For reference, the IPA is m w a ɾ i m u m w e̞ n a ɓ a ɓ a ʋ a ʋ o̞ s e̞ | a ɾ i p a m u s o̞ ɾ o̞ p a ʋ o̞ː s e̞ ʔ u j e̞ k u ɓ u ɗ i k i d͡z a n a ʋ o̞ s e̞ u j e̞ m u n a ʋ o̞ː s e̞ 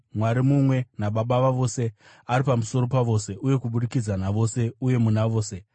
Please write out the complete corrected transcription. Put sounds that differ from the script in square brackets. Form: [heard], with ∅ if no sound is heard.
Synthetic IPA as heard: m w a ɾ i m u m w e̞ n a ɓ a ɓ a ʋ a ʋ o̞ s e̞ | a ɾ i p a m u s o̞ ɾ o̞ p a ʋ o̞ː s e̞ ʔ u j e̞ k u ɓ u ɗ i k i d͡z a n a ʋ o̞ s e̞ u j e̞ m u n a ʋ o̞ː s e̞